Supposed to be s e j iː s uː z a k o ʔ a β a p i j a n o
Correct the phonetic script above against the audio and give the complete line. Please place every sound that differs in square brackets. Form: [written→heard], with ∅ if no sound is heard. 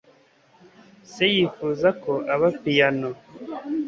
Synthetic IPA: s e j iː [s→f] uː z a k o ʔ a β a p i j a n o